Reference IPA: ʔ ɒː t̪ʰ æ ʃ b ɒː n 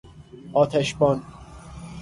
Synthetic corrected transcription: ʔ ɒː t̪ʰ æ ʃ b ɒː n